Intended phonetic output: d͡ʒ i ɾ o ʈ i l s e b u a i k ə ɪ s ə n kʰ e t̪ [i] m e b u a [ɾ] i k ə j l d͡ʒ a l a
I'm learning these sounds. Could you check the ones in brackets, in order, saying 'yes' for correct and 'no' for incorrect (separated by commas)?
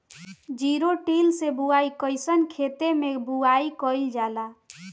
no, no